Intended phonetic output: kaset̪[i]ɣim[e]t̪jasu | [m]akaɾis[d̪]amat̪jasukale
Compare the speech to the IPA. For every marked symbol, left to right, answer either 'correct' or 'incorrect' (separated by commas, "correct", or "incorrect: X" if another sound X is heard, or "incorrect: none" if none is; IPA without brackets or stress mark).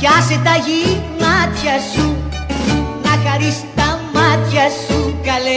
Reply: incorrect: a, incorrect: a, incorrect: n, incorrect: t̪